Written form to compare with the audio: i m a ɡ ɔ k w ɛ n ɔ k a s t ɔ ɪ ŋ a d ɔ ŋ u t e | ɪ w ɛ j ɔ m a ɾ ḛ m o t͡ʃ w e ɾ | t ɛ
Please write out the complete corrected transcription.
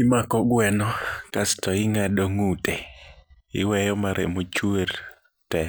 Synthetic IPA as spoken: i m a k ɔ ɡ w ɛ n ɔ k a s t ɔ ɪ ŋ a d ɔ ŋ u t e | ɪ w ɛ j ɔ m a ɾ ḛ m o t͡ʃ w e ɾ | t ɛ